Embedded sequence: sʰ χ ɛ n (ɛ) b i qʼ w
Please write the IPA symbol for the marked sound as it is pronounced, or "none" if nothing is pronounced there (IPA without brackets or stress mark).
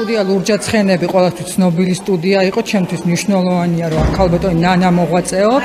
ɛ